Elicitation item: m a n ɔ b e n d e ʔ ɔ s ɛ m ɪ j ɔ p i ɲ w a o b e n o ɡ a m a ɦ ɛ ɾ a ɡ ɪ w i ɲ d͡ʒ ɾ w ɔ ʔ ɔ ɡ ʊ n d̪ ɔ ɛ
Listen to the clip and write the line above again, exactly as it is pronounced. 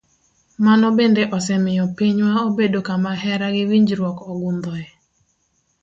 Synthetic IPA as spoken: m a n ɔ b e n d e ʔ ɔ s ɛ m ɪ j ɔ p i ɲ w a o b e d o k a m a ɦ ɛ ɾ a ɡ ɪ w i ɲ d͡ʒ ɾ w ɔ k ɔ ɡ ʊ n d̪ ɔ ɛ